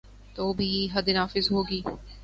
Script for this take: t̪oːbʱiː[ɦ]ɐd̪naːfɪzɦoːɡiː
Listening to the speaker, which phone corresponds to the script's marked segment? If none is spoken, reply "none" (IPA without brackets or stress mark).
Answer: ɦ